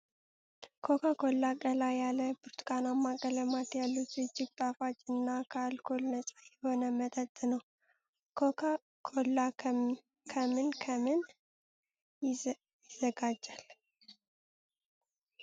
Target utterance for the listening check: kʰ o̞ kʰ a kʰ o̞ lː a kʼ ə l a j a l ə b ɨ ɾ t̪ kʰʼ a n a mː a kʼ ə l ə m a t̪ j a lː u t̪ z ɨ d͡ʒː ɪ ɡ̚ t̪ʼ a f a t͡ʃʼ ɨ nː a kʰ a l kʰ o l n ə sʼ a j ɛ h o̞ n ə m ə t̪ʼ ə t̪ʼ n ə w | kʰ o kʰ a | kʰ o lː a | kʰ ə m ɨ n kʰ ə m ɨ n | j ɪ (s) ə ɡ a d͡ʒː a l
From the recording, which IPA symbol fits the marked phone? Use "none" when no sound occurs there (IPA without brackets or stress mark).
z